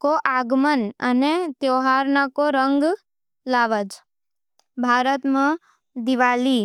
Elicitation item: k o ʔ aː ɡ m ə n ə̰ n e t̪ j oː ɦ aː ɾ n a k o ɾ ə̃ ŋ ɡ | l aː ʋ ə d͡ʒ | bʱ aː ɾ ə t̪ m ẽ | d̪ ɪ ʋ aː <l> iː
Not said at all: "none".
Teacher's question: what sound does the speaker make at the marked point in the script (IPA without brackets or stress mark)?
l